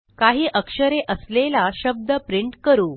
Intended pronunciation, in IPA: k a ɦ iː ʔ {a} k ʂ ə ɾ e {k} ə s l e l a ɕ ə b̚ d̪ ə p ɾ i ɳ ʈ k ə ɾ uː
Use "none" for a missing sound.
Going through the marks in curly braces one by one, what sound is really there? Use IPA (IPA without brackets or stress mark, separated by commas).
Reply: ə, ʔ